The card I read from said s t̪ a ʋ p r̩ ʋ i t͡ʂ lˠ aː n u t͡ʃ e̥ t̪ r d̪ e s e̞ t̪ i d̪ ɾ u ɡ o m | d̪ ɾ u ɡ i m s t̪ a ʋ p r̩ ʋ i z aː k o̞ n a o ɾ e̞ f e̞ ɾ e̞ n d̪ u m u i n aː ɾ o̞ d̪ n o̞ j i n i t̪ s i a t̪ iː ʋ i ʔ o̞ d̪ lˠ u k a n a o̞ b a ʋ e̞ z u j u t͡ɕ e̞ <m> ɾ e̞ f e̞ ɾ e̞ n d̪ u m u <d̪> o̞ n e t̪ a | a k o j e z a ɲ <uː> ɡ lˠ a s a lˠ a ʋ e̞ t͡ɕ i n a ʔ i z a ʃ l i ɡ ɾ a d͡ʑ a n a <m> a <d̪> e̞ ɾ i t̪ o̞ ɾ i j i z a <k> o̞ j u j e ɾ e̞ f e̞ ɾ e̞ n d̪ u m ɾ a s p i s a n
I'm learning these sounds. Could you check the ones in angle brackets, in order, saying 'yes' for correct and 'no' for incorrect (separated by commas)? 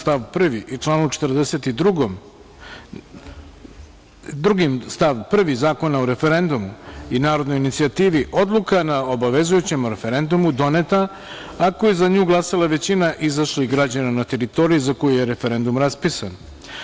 yes, yes, yes, no, no, yes